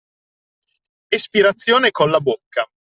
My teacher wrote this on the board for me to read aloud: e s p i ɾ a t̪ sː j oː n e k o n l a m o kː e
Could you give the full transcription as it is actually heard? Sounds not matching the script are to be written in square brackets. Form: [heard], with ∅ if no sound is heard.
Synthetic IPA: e s p i ɾ a t̪ sː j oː n e k o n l a [b] o kː [a]

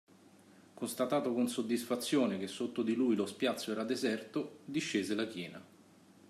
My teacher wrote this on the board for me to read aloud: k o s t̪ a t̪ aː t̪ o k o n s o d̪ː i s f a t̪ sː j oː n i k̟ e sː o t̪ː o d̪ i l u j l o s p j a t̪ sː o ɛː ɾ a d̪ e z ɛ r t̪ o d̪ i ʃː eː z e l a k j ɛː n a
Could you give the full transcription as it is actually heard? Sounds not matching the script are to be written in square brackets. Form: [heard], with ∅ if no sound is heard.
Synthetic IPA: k o s t̪ a t̪ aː t̪ o k o n s o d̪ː i s f a t̪ sː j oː n [e] k̟ e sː o t̪ː o d̪ i l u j l o s p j a t̪ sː o ɛː ɾ a d̪ e z ɛ r t̪ o d̪ i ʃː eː z e l a k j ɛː n a

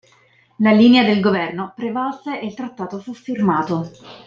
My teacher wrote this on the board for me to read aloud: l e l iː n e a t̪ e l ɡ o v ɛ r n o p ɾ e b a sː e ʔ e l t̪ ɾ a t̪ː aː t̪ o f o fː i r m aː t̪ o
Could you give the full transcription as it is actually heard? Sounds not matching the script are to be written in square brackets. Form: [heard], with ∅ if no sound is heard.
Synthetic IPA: l [a] l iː n e a [d̪] e l ɡ o v ɛ r n o p ɾ e [v] a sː e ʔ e l t̪ ɾ a t̪ː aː t̪ o f [u] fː i r m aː t̪ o

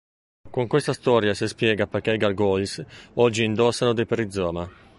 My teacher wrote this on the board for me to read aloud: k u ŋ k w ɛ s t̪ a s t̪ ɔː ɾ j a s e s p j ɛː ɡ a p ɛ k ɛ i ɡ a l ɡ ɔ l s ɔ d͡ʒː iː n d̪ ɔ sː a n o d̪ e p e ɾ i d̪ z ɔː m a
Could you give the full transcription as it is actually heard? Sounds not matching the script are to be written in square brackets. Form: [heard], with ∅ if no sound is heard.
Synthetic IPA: k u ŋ k w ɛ s t̪ a s t̪ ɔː ɾ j a s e s p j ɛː ɡ a p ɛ k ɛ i ɡ a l ɡ ɔ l s ɔ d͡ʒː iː n d̪ ɔ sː a n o d̪ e p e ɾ i d̪ z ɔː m a

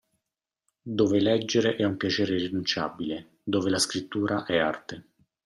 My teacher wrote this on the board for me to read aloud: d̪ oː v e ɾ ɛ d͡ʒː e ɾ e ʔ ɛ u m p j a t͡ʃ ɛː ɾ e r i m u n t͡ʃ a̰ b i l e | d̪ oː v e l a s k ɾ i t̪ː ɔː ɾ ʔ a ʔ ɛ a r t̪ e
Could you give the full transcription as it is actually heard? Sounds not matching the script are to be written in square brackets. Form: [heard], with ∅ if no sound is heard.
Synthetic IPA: d̪ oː v e [l] ɛ d͡ʒː e ɾ e ʔ ɛ u m p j a t͡ʃ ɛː ɾ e r i [n] u n t͡ʃ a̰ b i l e | d̪ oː v e l a s k ɾ i t̪ː [uː] ɾ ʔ a ʔ ɛ a r t̪ e

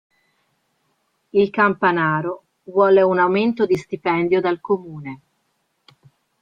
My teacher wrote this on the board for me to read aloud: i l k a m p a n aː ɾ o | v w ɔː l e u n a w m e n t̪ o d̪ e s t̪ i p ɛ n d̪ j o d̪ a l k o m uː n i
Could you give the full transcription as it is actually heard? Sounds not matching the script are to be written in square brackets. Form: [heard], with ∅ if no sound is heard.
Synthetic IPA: i l k a m p a n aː ɾ o | v w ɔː l e u n a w m e n t̪ o d̪ [i] s t̪ i p ɛ n d̪ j o d̪ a l k o m uː n [e]

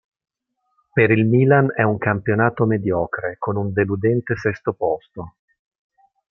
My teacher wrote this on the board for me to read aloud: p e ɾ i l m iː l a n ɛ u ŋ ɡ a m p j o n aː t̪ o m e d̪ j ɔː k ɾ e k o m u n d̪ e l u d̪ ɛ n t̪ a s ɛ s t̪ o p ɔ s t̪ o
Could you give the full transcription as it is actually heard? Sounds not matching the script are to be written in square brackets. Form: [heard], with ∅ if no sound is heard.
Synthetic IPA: p e ɾ i l m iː l a n ɛ u ŋ [k] a m p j o n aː t̪ o m e d̪ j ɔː k ɾ e k o [n] u n d̪ e l u d̪ ɛ n t̪ [e] s ɛ s t̪ o p ɔ s t̪ o

